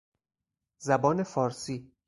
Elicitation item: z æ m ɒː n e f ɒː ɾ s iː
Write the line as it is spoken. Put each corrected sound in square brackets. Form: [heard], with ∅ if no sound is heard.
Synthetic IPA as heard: z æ [b] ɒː n e f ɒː ɾ s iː